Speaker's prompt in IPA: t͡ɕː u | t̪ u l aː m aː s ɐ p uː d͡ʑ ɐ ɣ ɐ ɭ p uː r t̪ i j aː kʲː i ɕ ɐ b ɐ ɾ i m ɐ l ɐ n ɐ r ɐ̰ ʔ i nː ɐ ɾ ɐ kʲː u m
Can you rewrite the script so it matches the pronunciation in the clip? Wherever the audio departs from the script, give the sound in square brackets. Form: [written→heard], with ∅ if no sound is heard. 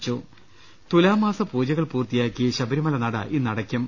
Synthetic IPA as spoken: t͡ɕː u | t̪ u l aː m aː s ɐ p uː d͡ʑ ɐ ɣ ɐ ɭ p uː r t̪ i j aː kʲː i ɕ ɐ b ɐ ɾ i m ɐ l ɐ n ɐ [r→ɽ] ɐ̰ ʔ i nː ɐ [ɾ→ɽ] ɐ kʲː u m